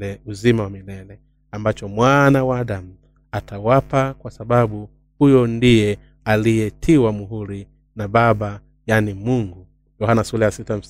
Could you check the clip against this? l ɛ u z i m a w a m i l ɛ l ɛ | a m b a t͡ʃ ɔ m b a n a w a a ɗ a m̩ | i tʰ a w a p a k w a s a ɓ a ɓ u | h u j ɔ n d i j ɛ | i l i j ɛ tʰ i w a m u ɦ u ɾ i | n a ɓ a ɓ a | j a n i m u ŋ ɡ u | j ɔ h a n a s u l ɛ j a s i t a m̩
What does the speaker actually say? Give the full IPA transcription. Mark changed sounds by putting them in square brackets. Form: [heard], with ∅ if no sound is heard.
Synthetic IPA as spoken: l ɛ u z i m a w a m i l ɛ l ɛ | a m b a t͡ʃ ɔ m [w] a n a w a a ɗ a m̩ | [a] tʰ a w a p a k w a s a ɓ a ɓ u | h u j ɔ n d i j ɛ | [a] l i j ɛ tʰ i w a m u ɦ u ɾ i | n a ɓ a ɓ a | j a n i m u ŋ ɡ u | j ɔ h a n a s u l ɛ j a s i t a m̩